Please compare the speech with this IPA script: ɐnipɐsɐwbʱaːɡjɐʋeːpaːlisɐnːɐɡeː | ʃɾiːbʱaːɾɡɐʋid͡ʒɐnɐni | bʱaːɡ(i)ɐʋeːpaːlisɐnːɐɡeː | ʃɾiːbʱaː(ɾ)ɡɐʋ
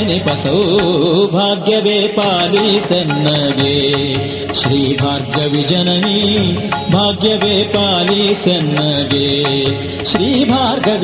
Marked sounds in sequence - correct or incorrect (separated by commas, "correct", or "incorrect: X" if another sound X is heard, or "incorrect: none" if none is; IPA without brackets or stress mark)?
incorrect: j, correct